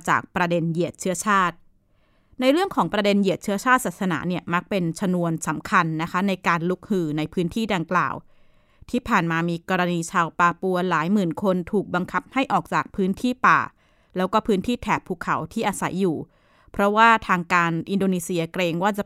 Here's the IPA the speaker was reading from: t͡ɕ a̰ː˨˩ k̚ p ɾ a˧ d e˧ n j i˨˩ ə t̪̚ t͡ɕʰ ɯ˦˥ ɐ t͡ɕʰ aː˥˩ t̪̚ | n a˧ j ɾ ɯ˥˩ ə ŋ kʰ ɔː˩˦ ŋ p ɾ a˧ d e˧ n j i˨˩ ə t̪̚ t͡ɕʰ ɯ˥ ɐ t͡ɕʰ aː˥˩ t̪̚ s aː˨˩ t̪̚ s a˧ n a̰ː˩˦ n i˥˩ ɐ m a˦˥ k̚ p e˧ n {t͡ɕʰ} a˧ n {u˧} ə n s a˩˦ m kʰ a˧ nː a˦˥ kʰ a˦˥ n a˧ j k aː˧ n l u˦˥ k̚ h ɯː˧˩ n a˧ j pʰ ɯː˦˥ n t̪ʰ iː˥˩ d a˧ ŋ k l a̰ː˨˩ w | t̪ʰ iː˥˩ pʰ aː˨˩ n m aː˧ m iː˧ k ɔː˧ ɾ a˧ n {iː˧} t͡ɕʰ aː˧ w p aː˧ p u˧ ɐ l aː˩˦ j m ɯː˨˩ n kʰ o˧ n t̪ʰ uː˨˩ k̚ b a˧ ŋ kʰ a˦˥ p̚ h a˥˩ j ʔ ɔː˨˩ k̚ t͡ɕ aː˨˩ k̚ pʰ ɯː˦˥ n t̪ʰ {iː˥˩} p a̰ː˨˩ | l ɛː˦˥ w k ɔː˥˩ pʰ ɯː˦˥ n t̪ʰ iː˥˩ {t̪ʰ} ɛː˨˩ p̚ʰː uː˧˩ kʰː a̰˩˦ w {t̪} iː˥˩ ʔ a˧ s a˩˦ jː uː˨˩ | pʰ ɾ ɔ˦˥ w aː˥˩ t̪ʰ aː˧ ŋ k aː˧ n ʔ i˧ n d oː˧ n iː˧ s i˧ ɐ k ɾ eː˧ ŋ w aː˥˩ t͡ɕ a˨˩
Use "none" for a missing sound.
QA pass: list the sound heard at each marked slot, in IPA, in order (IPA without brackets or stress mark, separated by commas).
t͡ɕʰ, u˧, iː˧, iː˥˩, t̪ʰ, t̪ʰ